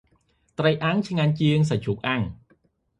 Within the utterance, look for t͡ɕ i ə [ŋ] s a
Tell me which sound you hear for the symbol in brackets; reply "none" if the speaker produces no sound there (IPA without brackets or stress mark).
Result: ŋ